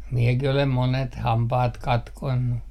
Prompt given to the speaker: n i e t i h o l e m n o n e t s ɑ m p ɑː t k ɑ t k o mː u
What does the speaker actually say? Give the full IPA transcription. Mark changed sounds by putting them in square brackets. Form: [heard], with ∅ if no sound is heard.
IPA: [m] i e [k] i h o l e m [m] o n e t [h] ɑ m p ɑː t k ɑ t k o [nː] u